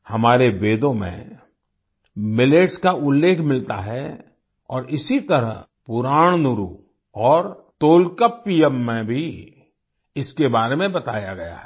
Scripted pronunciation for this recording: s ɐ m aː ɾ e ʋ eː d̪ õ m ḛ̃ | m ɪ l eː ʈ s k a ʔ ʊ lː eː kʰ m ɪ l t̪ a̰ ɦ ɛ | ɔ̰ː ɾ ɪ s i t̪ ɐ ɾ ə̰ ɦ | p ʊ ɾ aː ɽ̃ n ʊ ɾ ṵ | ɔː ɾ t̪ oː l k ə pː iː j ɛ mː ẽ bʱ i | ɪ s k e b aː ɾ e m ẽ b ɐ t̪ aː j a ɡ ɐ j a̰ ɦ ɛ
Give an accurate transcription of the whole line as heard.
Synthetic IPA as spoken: h ɐ m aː ɾ e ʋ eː d̪ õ m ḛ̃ | m ɪ l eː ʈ s k a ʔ ʊ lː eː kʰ m ɪ l t̪ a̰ ɦ ɛ | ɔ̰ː ɾ ɪ s i t̪ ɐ ɾ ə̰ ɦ | p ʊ ɾ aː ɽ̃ n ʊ ɾ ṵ | ɔː ɾ t̪ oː l k ə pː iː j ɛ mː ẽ bʱ i | ɪ s k e b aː ɾ e m ẽ b ɐ t̪ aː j a ɡ ɐ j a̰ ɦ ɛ